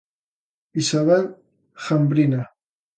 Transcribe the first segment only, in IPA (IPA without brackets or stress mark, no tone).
i